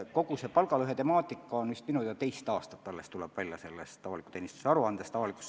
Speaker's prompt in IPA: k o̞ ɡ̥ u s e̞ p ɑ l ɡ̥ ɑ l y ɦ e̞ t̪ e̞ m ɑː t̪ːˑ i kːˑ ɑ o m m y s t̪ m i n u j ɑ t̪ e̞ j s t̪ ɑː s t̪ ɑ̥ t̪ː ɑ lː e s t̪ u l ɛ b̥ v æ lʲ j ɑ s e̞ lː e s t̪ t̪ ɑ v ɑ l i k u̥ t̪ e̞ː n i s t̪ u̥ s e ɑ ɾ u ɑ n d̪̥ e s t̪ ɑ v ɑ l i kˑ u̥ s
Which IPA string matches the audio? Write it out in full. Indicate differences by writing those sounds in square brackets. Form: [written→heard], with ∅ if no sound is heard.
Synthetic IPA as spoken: k o̞ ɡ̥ u s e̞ p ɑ l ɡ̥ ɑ l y ɦ e̞ t̪ e̞ m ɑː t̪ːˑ i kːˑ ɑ o [m→n] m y s t̪ m i n u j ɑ t̪ e̞ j s t̪ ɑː s t̪ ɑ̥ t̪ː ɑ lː e s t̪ u l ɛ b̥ v æ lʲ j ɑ s e̞ lː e s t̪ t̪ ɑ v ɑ l i k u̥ t̪ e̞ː n i s t̪ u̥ s e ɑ ɾ u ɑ n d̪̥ e s t̪ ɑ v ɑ l i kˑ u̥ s